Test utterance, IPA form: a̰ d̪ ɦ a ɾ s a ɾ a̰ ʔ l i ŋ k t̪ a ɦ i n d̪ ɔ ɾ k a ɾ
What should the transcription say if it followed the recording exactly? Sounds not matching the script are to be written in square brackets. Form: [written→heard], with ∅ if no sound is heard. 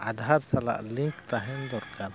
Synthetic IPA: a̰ d̪ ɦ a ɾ s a [ɾ→l] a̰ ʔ l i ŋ k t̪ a ɦ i n d̪ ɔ ɾ k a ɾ